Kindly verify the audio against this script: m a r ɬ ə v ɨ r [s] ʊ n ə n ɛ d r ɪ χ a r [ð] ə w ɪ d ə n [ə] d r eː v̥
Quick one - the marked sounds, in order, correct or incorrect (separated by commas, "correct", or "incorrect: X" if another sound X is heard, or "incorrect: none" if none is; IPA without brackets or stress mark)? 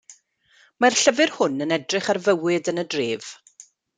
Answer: incorrect: h, incorrect: v, correct